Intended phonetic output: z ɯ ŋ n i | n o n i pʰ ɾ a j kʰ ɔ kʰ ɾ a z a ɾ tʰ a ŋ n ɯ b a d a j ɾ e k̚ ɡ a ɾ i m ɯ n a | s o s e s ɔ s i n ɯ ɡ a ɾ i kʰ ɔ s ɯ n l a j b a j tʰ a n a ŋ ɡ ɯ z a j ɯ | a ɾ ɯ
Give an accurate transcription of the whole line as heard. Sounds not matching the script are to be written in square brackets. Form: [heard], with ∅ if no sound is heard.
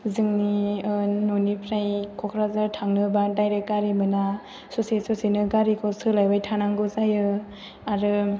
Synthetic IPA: z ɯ ŋ n i | n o n i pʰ ɾ a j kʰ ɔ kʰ ɾ a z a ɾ tʰ a ŋ n ɯ b a d a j ɾ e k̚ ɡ a ɾ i m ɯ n a | s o s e s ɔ s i n ɯ ɡ a ɾ i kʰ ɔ s ɯ [∅] l a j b a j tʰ a n a ŋ ɡ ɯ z a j ɯ | a ɾ ɯ